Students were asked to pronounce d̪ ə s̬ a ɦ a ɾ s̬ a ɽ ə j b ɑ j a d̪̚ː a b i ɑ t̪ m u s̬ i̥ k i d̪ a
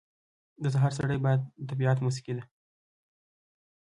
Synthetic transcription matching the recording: d̪ ə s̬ a ɦ ɑ ɾ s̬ a ɽ ə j b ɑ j a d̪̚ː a b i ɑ t̪ m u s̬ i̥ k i d̪ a